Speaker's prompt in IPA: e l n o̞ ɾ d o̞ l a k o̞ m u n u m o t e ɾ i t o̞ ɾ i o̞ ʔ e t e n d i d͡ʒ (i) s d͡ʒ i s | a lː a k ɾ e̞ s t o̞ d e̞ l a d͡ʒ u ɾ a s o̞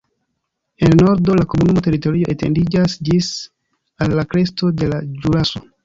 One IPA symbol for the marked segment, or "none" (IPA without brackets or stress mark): a